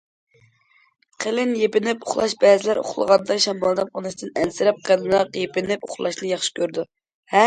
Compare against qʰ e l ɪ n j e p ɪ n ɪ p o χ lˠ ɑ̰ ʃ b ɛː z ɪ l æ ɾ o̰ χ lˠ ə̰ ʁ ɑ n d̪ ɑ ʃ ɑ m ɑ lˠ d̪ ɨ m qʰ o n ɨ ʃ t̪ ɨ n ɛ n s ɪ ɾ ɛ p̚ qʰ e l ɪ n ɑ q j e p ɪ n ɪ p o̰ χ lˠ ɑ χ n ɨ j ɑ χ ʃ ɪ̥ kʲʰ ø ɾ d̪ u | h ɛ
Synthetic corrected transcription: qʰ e l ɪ n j e p ɪ n ɪ p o χ lˠ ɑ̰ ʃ b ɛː z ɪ l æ ɾ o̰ χ lˠ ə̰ ʁ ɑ n d̪ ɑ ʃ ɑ m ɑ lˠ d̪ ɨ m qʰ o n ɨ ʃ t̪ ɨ n ɛ n s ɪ ɾ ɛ p̚ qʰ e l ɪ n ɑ q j e p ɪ n ɪ p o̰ χ lˠ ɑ ʃ n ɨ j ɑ χ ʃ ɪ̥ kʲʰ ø ɾ d̪ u | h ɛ